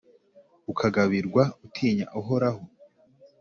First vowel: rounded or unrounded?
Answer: rounded